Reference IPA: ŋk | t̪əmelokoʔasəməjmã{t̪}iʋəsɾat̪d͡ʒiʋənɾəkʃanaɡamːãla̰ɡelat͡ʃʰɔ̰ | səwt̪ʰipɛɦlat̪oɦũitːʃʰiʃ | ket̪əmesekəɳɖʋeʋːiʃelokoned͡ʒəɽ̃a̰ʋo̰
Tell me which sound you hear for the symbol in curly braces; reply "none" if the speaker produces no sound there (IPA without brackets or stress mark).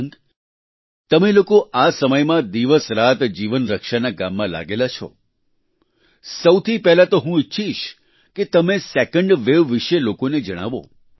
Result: d̪